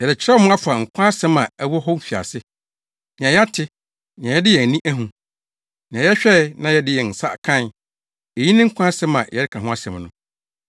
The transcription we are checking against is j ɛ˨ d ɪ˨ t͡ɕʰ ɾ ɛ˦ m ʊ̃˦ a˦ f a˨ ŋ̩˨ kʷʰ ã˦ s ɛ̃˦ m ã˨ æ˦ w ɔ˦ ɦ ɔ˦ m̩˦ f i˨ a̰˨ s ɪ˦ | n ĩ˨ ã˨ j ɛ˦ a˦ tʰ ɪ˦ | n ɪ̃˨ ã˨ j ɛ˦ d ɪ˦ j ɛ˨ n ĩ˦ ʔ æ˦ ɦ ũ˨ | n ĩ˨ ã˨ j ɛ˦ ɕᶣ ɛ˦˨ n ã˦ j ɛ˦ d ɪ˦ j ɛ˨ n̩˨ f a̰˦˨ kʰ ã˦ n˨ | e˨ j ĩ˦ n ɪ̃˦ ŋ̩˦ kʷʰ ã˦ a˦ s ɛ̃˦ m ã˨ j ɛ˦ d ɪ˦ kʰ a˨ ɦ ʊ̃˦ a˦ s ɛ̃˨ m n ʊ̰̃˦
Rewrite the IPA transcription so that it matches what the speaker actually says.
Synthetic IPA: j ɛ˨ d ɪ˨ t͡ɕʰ ɾ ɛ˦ m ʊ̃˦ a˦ f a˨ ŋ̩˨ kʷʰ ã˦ s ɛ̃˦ m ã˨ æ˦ w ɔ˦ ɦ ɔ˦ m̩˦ f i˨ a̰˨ s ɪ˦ | n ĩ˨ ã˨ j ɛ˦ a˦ tʰ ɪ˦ | n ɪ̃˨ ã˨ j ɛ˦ d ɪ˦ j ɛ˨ n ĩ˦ ʔ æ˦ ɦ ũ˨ | n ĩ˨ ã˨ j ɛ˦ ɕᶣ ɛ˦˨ n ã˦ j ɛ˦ d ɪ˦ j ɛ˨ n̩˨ s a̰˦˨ kʰ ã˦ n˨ | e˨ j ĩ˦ n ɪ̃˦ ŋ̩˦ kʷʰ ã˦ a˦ s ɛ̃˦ m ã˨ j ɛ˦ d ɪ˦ kʰ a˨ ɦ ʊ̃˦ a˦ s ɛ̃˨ m n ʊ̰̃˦